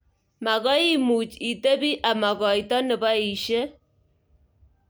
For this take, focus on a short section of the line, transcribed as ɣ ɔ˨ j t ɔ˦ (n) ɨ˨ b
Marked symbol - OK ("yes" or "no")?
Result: yes